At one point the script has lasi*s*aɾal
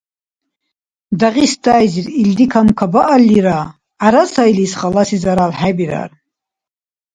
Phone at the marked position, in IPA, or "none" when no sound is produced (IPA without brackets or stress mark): z